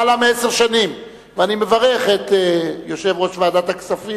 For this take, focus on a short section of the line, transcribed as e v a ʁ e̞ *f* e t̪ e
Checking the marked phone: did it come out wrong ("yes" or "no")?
yes